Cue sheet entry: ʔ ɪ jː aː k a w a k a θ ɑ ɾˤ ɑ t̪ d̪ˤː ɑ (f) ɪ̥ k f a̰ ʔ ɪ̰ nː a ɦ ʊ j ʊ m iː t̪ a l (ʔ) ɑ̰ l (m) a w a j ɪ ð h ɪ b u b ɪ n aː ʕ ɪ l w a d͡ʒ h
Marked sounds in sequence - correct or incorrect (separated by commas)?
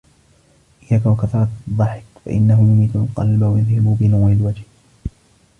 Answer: incorrect, incorrect, incorrect